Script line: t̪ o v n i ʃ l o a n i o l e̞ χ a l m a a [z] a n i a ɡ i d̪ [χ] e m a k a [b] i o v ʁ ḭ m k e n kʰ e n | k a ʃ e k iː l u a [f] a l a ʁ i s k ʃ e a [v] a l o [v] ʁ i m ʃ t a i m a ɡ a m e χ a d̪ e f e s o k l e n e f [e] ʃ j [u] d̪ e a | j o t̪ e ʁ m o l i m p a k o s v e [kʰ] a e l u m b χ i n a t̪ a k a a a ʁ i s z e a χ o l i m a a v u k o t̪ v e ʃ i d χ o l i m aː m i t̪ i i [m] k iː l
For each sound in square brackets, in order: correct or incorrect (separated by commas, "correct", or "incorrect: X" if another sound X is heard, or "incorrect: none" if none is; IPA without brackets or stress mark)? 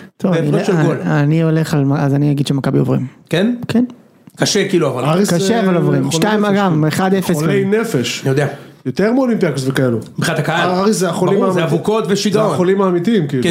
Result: correct, incorrect: ʃ, correct, incorrect: v, correct, correct, correct, incorrect: o, incorrect: k, correct